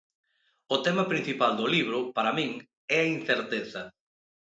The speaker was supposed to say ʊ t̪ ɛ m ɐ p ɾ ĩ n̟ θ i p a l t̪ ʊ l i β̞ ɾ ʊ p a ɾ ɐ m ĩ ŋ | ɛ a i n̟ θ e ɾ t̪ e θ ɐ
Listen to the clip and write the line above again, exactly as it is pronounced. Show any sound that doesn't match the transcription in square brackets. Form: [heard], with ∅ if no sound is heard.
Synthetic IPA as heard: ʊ t̪ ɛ m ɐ p ɾ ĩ n̟ θ i p a l [d̪] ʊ l i β̞ ɾ ʊ p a ɾ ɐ m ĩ ŋ | ɛ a i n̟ θ e ɾ t̪ e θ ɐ